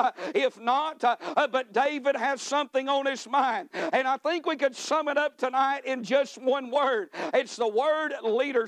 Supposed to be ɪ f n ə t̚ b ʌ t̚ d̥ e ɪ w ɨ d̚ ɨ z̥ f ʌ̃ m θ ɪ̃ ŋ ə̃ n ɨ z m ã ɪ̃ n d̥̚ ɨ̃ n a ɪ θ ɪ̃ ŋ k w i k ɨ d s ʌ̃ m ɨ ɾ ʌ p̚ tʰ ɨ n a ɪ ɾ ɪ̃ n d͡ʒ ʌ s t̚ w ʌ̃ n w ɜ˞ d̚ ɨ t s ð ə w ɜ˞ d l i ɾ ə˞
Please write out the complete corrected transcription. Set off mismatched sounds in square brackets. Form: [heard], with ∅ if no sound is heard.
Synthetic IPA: ɪ f n ə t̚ b ʌ t̚ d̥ e ɪ [v] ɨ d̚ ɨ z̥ [s] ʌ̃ m θ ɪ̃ ŋ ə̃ n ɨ z m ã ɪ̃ n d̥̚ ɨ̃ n a ɪ θ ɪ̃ ŋ k w i k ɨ d s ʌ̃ m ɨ ɾ ʌ p̚ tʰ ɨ n a ɪ ɾ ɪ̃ n d͡ʒ ʌ s t̚ w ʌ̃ n w ɜ˞ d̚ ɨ t s ð ə w ɜ˞ d l i ɾ ə˞